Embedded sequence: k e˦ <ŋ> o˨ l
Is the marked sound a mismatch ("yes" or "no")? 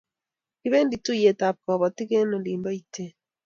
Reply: yes